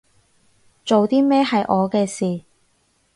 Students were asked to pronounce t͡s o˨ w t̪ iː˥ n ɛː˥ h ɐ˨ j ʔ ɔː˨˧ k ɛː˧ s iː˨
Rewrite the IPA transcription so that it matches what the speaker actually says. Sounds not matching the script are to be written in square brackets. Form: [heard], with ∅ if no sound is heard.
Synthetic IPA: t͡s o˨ w t̪ iː˥ [m] ɛː˥ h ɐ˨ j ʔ ɔː˨˧ k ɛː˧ s iː˨